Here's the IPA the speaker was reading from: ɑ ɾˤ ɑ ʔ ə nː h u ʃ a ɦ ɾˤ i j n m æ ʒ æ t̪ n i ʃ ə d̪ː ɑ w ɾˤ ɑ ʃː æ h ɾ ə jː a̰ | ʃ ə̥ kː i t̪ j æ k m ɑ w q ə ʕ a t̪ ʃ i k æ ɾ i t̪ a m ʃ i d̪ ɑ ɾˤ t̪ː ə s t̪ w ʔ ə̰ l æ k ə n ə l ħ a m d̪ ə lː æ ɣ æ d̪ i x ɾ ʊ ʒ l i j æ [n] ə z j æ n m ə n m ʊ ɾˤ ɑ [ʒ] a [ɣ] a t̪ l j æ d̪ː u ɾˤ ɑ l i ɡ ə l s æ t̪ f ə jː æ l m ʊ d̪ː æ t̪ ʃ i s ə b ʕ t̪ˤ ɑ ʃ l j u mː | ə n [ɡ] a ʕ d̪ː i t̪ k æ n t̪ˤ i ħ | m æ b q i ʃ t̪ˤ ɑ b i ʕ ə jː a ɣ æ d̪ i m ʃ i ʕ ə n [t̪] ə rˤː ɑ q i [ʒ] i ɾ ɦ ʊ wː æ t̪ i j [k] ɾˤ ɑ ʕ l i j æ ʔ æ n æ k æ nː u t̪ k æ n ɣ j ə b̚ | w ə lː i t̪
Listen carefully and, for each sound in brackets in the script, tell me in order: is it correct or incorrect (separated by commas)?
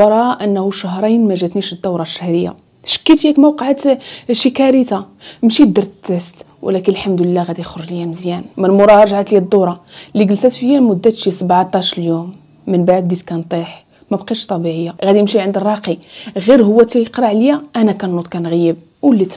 incorrect, correct, incorrect, incorrect, incorrect, incorrect, incorrect